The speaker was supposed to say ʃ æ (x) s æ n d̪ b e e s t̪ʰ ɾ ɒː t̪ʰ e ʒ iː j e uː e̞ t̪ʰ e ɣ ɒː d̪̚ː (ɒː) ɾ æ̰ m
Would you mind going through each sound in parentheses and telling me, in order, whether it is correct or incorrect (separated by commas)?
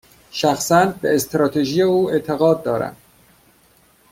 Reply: correct, correct